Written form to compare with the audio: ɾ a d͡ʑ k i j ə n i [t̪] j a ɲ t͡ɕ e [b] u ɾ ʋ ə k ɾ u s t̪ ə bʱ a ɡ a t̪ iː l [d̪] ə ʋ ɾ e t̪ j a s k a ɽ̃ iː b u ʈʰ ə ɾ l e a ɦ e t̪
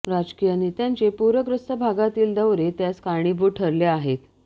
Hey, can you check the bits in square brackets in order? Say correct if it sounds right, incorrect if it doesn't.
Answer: correct, incorrect: p, correct

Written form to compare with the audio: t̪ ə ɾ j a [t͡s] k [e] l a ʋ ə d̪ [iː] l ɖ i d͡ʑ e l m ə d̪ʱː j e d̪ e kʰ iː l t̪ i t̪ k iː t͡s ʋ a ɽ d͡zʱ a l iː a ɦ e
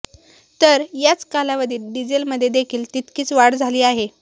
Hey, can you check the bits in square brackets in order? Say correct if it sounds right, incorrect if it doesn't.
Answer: correct, incorrect: a, correct

